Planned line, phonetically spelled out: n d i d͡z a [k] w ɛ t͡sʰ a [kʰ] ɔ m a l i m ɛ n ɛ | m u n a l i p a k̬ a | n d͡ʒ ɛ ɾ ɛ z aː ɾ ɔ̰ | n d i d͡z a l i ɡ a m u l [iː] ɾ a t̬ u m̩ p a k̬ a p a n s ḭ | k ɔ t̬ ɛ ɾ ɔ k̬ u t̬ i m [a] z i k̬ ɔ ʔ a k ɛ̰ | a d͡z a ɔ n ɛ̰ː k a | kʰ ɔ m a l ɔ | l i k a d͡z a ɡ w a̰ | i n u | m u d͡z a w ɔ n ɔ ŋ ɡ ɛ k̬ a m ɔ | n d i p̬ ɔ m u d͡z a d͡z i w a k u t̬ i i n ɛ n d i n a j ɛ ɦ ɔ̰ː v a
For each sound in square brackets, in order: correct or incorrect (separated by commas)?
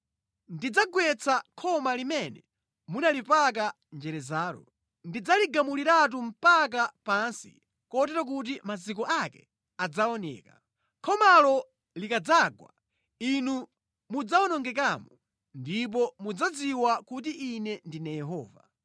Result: incorrect, correct, incorrect, correct